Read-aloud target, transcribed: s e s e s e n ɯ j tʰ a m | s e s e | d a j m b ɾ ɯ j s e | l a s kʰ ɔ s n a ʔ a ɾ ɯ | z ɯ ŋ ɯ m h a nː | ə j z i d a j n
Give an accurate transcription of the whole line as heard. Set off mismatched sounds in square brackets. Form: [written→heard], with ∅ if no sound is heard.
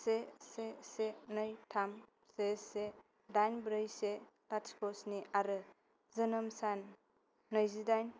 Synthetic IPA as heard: s e s e s e n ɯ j tʰ a m | s e s e | d a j [m→n] b ɾ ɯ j s e | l a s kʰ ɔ s n [a→i] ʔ a ɾ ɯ | z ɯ [ŋ→n] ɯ m [h→s] a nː | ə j z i d a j n